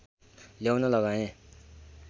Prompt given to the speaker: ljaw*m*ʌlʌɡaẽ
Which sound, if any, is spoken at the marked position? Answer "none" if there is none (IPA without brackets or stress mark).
n